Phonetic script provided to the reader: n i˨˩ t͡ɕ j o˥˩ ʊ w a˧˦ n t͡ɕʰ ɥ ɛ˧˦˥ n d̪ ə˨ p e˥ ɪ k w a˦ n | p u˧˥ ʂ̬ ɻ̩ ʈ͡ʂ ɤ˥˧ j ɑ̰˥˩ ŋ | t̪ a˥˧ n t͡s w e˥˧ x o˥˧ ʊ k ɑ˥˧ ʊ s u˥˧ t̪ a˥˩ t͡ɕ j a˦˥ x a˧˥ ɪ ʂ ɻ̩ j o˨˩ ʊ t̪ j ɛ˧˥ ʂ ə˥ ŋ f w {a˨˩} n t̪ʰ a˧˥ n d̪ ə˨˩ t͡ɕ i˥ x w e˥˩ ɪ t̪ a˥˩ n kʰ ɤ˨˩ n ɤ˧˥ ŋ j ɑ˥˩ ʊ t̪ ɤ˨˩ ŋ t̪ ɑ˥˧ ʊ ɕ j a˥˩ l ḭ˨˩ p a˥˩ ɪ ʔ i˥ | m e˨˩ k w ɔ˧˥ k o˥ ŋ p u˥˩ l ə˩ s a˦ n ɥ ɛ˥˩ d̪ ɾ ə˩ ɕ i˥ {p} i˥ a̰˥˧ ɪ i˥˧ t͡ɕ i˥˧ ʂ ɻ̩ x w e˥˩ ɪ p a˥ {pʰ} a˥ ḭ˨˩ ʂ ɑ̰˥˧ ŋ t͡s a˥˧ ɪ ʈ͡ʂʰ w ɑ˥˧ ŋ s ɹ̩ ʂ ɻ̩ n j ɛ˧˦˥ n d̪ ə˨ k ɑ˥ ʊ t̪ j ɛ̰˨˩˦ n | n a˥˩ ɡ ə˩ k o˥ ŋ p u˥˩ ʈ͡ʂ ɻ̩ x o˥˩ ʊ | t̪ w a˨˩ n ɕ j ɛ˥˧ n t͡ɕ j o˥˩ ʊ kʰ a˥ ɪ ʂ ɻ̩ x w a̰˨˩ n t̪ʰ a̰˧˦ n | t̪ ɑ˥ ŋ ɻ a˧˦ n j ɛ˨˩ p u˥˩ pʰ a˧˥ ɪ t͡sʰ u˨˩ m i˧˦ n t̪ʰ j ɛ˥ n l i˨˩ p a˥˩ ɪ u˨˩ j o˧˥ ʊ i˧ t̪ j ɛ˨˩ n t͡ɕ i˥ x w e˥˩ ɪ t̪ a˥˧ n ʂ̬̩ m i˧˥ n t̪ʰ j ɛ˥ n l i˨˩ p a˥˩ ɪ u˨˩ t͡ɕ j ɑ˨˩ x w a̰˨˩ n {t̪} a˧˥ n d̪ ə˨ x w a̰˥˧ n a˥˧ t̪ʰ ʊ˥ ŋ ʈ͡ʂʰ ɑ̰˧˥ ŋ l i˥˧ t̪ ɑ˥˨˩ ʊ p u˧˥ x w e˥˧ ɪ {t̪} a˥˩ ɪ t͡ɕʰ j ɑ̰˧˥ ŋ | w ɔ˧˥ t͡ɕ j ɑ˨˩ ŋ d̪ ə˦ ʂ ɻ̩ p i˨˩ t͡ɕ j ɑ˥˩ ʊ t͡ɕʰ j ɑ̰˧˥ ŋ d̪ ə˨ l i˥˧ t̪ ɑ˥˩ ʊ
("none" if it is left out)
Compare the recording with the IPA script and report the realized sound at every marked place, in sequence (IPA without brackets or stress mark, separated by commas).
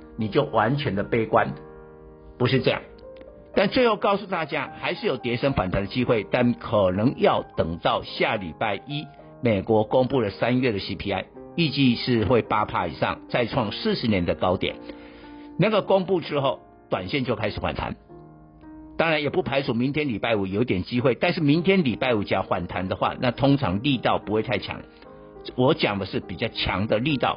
a˨˩, pʰ, pʰ, t̪ʰ, t̪ʰ